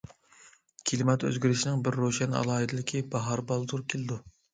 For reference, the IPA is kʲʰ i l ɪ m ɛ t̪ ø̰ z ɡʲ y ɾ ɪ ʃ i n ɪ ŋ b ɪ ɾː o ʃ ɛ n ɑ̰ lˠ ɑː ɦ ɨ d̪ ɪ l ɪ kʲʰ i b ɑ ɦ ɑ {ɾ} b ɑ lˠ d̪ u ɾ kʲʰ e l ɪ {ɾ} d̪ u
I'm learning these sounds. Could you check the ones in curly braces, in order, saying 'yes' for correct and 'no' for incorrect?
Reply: yes, no

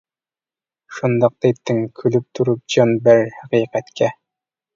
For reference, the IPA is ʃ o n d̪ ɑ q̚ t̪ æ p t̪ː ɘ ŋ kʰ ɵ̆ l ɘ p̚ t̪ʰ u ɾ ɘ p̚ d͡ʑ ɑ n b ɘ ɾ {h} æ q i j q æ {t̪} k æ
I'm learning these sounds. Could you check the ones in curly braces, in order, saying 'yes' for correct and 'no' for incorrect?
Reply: yes, yes

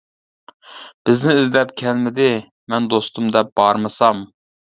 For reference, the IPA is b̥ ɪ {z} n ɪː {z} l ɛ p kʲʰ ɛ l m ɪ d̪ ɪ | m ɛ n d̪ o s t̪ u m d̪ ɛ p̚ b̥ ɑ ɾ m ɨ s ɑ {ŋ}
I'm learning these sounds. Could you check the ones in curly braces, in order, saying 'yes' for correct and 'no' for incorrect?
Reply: yes, yes, no

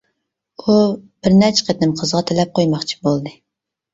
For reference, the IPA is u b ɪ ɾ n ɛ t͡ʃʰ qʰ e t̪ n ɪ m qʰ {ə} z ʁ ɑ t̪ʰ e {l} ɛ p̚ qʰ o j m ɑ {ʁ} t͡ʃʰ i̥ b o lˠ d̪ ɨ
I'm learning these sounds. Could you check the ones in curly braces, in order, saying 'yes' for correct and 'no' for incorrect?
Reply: yes, yes, no

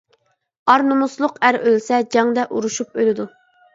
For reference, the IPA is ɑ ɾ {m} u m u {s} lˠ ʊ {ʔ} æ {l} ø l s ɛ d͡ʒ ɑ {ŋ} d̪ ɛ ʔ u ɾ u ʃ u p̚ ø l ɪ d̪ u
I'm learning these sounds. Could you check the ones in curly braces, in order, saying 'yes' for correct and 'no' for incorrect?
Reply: no, yes, no, no, yes

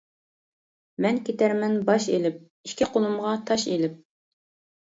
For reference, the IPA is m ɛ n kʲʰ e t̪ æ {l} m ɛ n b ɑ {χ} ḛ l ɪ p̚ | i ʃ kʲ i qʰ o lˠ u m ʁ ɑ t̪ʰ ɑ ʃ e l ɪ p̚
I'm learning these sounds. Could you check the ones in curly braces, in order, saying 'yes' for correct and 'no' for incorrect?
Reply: no, no

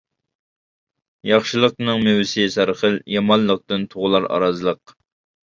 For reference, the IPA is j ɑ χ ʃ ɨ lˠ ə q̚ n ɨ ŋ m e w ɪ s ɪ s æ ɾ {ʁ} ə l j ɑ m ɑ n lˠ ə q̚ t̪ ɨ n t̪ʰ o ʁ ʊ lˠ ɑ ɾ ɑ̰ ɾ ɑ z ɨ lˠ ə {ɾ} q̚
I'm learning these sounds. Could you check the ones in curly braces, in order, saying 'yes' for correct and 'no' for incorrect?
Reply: no, no

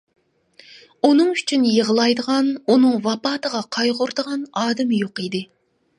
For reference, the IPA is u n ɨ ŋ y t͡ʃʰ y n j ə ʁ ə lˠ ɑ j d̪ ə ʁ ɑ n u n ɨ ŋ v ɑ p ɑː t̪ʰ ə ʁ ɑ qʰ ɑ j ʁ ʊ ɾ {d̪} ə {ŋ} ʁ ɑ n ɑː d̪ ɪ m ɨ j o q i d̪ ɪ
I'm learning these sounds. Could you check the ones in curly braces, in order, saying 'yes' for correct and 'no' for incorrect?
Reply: yes, no

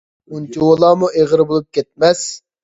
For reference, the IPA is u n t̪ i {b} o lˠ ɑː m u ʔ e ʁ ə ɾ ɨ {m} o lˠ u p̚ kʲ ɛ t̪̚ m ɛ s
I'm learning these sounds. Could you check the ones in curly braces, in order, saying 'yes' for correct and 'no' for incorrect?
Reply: no, no

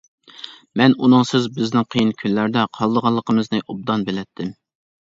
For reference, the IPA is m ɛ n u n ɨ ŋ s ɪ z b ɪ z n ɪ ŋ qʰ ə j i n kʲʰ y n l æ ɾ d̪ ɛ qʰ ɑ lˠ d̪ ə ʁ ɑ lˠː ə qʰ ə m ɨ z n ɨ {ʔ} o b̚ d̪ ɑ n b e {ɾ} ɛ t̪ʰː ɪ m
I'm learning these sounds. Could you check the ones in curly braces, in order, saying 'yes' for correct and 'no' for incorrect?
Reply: yes, no

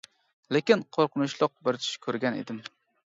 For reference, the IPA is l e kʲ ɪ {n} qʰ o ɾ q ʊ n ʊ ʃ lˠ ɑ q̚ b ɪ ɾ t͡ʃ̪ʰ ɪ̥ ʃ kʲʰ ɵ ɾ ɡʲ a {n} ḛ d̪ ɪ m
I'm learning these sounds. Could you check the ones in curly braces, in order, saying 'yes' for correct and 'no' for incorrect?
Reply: yes, yes

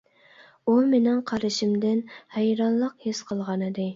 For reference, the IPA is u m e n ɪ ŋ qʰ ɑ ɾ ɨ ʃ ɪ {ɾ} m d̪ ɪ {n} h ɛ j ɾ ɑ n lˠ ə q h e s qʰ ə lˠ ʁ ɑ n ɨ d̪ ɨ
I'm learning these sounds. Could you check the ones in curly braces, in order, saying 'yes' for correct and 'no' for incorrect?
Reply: no, yes

